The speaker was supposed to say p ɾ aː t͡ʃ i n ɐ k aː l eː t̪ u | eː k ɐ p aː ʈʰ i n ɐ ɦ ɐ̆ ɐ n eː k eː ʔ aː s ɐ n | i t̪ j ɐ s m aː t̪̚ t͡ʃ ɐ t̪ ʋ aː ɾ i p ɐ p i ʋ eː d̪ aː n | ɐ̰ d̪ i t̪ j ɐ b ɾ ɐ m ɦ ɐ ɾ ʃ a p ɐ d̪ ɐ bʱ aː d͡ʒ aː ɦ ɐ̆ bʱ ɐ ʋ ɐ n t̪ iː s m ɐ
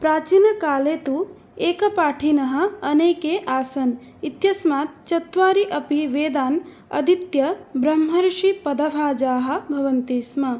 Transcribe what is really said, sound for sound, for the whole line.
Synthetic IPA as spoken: p ɾ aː t͡ʃ i n ɐ k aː l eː t̪ u | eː k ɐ p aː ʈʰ i n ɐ ɦ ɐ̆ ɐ n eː k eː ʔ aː s ɐ n | i t̪ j ɐ s m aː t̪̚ t͡ʃ ɐ t̪ ʋ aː ɾ i ʔ ɐ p i ʋ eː d̪ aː n | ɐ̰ d̪ i t̪ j ɐ b ɾ ɐ m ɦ ɐ ɾ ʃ i p ɐ d̪ ɐ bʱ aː d͡ʒ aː ɦ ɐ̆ bʱ ɐ ʋ ɐ n t̪ iː s m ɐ